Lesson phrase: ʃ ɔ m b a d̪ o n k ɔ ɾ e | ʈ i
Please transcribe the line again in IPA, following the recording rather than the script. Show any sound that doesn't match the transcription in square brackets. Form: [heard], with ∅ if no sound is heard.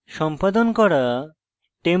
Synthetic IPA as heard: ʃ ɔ m [p] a d̪ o n k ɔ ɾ [a] | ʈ [e]